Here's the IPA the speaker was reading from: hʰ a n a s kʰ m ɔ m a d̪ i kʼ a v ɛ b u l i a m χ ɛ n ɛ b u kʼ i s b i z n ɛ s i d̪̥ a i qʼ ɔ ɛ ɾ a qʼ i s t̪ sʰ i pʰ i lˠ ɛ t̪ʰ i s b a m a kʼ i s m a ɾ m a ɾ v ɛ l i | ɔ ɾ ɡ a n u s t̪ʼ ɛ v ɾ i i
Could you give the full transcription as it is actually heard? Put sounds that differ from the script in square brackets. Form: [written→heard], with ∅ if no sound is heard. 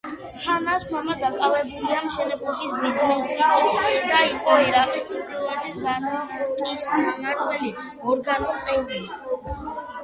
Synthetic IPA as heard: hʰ a n a s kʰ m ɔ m a d̪ [i→a] kʼ a v ɛ b u l i a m [χ→ʃ] ɛ n ɛ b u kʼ i s b i z n ɛ s i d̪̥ a i qʼ ɔ ɛ ɾ a qʼ i s t̪ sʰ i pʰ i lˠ ɛ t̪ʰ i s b a [m→n] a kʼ i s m a [ɾ→∅] m a ɾ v ɛ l i | ɔ ɾ ɡ a n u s t̪ʼ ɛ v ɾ i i

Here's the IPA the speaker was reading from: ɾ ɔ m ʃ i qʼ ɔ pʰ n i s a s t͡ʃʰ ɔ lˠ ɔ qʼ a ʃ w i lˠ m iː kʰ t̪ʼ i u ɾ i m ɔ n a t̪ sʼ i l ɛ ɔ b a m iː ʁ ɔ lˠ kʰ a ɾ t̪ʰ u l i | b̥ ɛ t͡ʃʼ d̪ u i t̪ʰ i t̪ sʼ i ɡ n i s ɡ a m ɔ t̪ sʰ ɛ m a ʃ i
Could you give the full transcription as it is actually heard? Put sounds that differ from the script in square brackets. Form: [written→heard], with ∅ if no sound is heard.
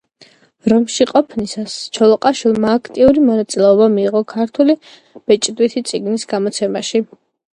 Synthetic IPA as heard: ɾ ɔ m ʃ i qʼ ɔ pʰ n i s a s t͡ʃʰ ɔ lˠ ɔ qʼ a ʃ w i lˠ m [iː→aː] kʰ t̪ʼ i u ɾ i m ɔ n a t̪ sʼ i l ɛ ɔ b a m iː ʁ ɔ [lˠ→∅] kʰ a ɾ t̪ʰ u l i | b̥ ɛ t͡ʃʼ d̪ [u→w] i t̪ʰ i t̪ sʼ i ɡ n i s ɡ a m ɔ t̪ sʰ ɛ m a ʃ i

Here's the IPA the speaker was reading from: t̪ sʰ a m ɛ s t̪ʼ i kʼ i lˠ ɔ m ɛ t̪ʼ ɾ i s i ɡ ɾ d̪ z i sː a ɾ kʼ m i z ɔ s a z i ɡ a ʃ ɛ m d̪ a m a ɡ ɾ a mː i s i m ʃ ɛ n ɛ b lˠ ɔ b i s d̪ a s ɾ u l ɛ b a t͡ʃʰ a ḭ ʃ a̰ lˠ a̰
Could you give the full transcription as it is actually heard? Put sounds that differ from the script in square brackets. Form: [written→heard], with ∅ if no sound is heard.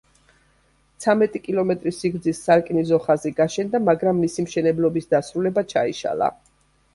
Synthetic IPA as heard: t̪ sʰ a m ɛ [s→∅] t̪ʼ i kʼ i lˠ ɔ m ɛ t̪ʼ ɾ i s i ɡ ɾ d̪ z i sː a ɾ kʼ [m→n] i z ɔ [s→χ] a z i ɡ a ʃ ɛ [m→n] d̪ a m a ɡ ɾ a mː i s i m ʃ ɛ n ɛ b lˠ ɔ b i s d̪ a s ɾ u l ɛ b a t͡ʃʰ a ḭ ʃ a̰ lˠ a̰

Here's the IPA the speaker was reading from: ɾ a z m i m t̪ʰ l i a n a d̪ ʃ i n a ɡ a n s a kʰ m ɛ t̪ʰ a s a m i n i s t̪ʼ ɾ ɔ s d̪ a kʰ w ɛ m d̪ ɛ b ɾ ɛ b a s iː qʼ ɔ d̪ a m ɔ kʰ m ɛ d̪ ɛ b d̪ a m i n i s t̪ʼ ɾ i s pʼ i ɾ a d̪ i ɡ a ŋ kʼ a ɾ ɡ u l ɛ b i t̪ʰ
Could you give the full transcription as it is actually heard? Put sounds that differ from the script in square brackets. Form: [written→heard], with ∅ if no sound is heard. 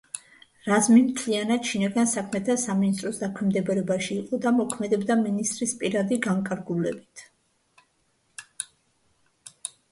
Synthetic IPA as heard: ɾ a z m i m t̪ʰ l i a n a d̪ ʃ i n a ɡ a n s a kʰ m ɛ t̪ʰ a s a m i n i s t̪ʼ ɾ ɔ s d̪ a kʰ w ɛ m d̪ ɛ b ɾ ɛ b a [s→ʃ] iː qʼ ɔ d̪ a m ɔ kʰ m ɛ d̪ ɛ b d̪ a m i n i s t̪ʼ ɾ i s pʼ i ɾ a d̪ i ɡ a ŋ kʼ a ɾ ɡ u l ɛ b i t̪ʰ

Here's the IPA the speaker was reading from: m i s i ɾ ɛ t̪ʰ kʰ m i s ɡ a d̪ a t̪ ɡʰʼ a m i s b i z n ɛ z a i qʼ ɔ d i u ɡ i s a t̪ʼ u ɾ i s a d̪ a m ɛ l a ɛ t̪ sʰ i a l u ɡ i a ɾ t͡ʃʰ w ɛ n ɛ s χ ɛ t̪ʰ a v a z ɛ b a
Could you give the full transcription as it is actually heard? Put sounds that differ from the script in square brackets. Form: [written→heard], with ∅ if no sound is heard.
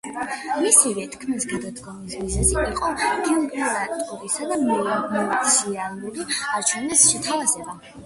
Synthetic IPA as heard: m i s i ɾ ɛ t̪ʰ kʰ m i s ɡ a d̪ a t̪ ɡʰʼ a m i s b i z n ɛ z [a→i] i qʼ ɔ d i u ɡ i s a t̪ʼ u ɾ i s a d̪ a m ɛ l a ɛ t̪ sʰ i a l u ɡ i a ɾ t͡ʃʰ w ɛ n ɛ s [χ→ʃ] ɛ t̪ʰ a v a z ɛ b a

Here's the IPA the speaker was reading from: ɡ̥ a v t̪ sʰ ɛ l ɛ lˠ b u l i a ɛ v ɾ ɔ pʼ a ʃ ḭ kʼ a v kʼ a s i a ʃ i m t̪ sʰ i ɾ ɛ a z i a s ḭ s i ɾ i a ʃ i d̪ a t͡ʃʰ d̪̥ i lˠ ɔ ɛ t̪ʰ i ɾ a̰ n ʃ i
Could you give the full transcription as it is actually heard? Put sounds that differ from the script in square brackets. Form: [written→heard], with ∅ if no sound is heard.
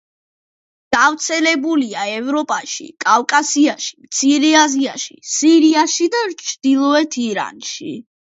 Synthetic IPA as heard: ɡ̥ a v t̪ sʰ ɛ l ɛ [lˠ→∅] b u l i a ɛ v ɾ ɔ pʼ a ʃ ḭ kʼ a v kʼ a s i a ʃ i m t̪ sʰ i ɾ ɛ a z i a [s→ʃ] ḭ s i ɾ i a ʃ i d̪ a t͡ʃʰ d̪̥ i lˠ ɔ ɛ t̪ʰ i ɾ a̰ n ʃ i

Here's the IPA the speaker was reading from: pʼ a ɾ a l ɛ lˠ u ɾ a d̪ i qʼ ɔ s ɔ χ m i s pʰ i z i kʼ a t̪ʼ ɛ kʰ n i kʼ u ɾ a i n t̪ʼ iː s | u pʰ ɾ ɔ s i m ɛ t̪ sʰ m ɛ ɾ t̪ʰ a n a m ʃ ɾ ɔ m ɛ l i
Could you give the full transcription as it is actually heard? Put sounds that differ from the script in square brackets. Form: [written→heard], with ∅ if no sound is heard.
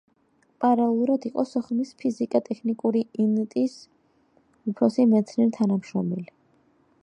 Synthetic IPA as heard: pʼ a ɾ a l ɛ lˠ u ɾ a d̪ i qʼ ɔ s ɔ χ m i s pʰ i z i kʼ a t̪ʼ ɛ kʰ n i kʼ u ɾ [a→i] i n t̪ʼ [iː→i] s | u pʰ ɾ ɔ s i m ɛ t̪ sʰ [m→n] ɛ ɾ t̪ʰ a n a m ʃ ɾ ɔ m ɛ l i

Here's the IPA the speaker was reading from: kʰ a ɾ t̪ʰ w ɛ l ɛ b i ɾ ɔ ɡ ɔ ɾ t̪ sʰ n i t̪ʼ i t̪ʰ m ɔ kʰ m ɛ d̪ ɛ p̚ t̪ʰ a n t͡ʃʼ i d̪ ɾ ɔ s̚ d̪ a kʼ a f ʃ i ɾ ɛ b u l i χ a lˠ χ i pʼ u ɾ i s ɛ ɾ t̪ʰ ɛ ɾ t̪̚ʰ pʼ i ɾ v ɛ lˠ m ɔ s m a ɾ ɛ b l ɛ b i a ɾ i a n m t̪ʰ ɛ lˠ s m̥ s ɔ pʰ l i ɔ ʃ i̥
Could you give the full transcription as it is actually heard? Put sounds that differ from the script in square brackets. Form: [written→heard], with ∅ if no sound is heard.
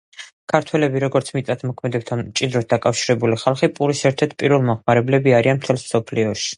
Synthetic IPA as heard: kʰ a ɾ t̪ʰ w ɛ l ɛ b i ɾ ɔ ɡ ɔ ɾ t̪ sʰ [n→m] i t̪ʼ [i→a] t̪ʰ m ɔ kʰ m ɛ d̪ ɛ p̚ t̪ʰ a n t͡ʃʼ i d̪ ɾ ɔ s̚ d̪ a kʼ a f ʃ i ɾ ɛ b u l i χ a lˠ χ i pʼ u ɾ i s ɛ ɾ t̪ʰ ɛ ɾ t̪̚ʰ pʼ i ɾ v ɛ lˠ m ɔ [s→χ] m a ɾ ɛ b l ɛ b i a ɾ i a n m t̪ʰ ɛ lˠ s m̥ s ɔ pʰ l i ɔ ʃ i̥

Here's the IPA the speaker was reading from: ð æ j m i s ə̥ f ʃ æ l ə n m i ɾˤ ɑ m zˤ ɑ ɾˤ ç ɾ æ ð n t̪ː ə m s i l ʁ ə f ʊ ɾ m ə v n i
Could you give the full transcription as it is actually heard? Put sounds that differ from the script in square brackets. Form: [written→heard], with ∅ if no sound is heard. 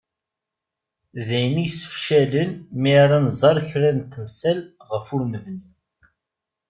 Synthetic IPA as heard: ð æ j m i s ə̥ f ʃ æ l ə n m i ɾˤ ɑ [m→n] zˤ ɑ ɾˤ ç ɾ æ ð n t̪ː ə m s [i→æ] l ʁ ə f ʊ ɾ m ə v n i

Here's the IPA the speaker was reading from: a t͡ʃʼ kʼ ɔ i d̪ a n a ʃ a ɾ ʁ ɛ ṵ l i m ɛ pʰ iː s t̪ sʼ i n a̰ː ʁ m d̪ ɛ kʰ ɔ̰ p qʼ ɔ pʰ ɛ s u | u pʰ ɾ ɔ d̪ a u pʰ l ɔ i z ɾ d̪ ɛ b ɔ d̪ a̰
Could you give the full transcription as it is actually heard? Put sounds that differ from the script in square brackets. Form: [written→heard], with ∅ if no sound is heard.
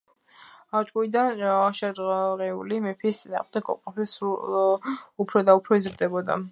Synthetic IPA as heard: a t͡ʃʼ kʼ [ɔ→u] i d̪ a n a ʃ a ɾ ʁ ɛ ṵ l i m ɛ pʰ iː s t̪ sʼ i n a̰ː ʁ m d̪ ɛ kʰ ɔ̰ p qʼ ɔ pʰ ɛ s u | u pʰ ɾ ɔ d̪ a u pʰ [l→ɾ] ɔ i z ɾ d̪ ɛ b ɔ d̪ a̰

